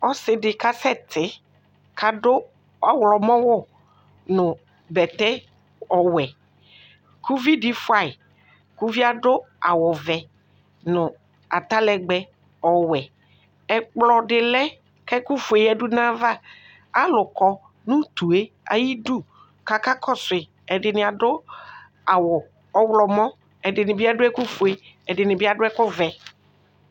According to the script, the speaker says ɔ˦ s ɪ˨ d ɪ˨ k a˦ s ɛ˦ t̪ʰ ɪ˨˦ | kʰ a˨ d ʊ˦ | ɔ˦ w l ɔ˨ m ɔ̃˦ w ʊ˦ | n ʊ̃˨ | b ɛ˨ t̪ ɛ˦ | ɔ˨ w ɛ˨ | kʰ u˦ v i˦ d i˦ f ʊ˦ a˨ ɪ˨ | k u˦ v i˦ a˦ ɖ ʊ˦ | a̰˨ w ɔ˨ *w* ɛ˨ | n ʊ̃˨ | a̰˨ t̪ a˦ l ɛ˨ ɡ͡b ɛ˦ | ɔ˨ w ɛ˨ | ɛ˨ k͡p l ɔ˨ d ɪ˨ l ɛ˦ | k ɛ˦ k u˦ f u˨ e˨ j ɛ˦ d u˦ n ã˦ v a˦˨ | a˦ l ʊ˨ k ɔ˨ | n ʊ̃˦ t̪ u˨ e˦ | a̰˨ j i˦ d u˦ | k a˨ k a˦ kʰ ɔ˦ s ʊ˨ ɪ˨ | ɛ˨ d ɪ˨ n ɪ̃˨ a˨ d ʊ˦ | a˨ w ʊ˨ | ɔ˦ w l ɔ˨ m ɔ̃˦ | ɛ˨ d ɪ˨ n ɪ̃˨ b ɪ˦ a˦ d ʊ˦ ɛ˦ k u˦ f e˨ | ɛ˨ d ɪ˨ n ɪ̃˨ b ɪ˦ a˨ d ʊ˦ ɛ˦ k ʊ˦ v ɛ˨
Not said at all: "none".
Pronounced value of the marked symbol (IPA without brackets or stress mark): v